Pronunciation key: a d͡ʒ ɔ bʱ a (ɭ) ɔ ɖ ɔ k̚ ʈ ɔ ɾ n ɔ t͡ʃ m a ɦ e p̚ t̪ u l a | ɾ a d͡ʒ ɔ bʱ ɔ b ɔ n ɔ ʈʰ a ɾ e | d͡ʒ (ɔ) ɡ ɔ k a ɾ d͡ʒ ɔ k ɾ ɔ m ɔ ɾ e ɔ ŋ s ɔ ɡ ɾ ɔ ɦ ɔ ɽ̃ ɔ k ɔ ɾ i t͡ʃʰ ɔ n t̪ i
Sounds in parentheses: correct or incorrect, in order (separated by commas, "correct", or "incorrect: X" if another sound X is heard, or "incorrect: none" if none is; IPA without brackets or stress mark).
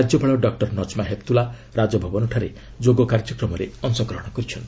correct, incorrect: o